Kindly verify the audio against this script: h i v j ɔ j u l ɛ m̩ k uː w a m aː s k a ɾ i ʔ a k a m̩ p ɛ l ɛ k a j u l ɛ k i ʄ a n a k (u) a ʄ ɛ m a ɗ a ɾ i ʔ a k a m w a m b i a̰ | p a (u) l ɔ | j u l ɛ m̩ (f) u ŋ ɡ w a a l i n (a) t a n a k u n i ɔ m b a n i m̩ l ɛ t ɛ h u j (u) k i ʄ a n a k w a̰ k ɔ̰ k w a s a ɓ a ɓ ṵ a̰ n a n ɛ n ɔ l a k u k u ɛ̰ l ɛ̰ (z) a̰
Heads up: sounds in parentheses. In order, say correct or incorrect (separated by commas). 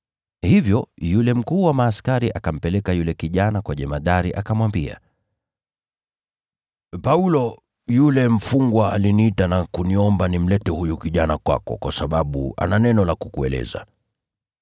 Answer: incorrect, correct, correct, incorrect, correct, correct